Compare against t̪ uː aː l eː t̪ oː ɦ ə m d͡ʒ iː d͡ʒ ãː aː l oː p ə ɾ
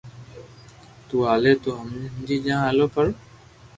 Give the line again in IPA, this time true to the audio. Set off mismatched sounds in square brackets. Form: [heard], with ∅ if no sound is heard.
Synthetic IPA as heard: t̪ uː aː l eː t̪ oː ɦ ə m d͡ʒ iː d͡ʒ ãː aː l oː p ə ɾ

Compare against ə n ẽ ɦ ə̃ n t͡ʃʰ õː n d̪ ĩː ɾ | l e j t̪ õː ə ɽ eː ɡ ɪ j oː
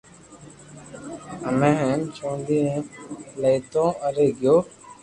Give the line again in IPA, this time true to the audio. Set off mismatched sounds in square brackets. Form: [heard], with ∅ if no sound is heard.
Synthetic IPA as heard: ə [m] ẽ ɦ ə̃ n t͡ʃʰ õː n d̪ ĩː [∅] | l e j t̪ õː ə [ɾ] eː ɡ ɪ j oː

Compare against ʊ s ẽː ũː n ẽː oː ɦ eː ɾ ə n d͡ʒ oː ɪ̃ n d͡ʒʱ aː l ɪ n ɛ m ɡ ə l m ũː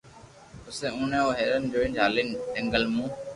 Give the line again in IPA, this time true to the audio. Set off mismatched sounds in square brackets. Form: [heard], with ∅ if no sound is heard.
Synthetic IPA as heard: ʊ s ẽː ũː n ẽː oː ɦ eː ɾ ə n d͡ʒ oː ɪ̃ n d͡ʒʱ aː l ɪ n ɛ [ŋ] ɡ ə l m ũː

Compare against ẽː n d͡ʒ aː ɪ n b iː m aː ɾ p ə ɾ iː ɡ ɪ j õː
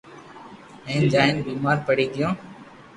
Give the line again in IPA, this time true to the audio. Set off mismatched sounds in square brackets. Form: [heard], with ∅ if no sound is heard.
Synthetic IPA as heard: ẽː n d͡ʒ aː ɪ n b iː m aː ɾ p ə [ɽ] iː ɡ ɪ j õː

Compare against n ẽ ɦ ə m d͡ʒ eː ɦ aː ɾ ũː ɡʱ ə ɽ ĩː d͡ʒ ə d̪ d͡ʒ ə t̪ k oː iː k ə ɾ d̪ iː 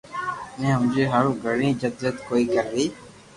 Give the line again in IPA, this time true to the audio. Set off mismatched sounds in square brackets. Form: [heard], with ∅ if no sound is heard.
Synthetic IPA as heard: n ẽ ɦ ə m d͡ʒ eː ɦ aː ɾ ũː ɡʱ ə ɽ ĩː d͡ʒ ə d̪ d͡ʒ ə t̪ k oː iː k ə ɾ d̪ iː

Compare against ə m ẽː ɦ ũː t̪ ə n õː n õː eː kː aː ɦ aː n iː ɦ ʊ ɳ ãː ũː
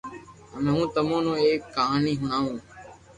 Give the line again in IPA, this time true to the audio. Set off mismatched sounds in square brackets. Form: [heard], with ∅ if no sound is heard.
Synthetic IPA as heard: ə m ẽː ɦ ũː t̪ ə [m] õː n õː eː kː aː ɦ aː n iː ɦ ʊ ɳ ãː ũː

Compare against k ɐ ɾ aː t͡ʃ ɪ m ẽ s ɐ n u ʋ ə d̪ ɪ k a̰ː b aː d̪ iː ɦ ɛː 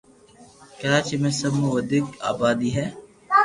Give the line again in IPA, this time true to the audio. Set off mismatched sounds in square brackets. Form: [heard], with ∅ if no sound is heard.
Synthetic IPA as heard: k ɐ ɾ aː t͡ʃ [i] m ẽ s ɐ [m] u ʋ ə d̪ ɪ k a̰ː b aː d̪ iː ɦ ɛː

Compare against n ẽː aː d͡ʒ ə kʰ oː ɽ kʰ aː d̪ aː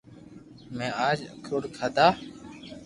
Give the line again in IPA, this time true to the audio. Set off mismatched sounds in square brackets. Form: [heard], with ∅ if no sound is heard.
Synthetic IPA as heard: [m] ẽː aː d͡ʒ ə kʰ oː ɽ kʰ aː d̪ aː

